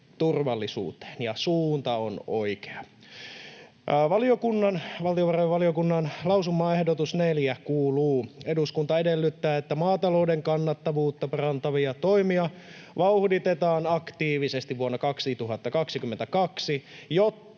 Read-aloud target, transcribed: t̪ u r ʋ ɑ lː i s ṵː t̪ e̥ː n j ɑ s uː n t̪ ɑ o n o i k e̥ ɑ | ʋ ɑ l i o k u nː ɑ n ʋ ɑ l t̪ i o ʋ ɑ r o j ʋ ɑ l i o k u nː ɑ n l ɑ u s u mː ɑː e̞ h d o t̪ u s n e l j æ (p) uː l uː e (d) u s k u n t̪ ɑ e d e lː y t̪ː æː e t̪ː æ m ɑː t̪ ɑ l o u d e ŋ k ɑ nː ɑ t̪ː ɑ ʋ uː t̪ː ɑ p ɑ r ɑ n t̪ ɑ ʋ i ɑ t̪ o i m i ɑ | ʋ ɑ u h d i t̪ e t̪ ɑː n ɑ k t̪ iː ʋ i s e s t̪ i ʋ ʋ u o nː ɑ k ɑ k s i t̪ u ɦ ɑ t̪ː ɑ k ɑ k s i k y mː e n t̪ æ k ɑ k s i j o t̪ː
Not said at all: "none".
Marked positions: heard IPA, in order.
k, d

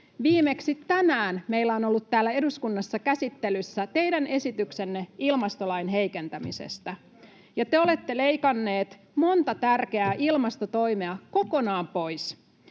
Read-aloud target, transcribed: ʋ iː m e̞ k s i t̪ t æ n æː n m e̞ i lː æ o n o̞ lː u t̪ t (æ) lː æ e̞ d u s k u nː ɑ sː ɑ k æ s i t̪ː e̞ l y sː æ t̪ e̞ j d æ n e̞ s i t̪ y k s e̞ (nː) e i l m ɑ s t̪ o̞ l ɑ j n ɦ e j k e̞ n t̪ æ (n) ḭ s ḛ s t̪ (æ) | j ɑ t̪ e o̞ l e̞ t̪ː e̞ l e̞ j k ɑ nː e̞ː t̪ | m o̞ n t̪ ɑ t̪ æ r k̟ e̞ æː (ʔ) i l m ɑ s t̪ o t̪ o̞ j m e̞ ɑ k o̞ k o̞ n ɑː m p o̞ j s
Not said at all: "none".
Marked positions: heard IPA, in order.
æː, nː, m, æ, ʔ

